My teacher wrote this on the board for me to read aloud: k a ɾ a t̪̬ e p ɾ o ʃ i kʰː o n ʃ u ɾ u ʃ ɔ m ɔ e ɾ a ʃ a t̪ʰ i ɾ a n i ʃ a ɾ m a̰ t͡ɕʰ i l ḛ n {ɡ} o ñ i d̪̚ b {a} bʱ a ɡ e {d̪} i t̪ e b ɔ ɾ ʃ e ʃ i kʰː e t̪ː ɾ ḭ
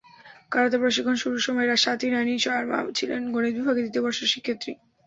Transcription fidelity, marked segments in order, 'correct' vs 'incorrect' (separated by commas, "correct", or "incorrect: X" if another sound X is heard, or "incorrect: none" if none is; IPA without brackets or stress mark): correct, incorrect: i, correct